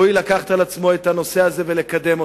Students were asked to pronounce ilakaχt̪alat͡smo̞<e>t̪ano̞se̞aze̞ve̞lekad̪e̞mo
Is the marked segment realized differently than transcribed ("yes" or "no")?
no